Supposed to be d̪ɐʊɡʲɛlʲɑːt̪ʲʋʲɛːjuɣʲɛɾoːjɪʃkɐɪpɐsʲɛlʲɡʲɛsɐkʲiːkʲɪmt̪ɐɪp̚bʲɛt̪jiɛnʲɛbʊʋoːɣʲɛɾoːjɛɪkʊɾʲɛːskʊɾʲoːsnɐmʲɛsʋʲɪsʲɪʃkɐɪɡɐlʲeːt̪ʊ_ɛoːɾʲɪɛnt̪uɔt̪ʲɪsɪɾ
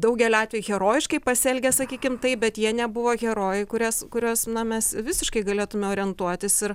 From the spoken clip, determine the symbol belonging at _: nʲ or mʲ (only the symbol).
mʲ